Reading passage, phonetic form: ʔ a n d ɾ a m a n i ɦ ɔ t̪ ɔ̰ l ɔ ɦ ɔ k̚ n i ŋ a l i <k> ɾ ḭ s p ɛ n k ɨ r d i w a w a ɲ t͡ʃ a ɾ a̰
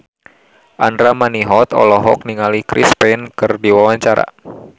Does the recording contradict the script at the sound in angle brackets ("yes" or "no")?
no